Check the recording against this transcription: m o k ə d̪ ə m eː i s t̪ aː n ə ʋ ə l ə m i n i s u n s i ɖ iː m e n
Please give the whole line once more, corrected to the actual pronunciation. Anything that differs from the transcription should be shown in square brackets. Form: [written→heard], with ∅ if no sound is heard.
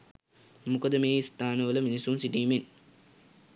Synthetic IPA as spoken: m [o→u] k ə d̪ ə m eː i s t̪ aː n ə ʋ ə l ə m i n i s u n s i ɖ iː m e n